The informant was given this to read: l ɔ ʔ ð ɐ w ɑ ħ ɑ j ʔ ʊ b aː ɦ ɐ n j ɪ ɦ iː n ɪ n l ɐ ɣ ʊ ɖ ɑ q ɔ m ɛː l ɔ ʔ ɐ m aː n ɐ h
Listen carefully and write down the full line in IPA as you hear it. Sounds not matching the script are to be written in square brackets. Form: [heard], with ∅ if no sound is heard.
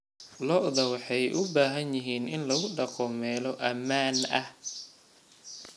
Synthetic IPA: l ɔ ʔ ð ɐ w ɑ ħ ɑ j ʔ ʊ b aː ɦ ɐ n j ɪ ɦ iː n ɪ n l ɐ ɣ ʊ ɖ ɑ q ɔ m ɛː l ɔ ʔ ɐ m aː n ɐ h